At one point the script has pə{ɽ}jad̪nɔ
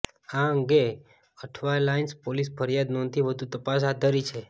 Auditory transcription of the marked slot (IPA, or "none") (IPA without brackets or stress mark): ɾ